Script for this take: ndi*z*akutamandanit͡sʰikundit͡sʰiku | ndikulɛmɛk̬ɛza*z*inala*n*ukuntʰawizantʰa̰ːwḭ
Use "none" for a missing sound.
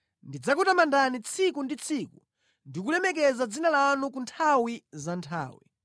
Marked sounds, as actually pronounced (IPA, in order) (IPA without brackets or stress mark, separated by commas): d͡z, d͡z, n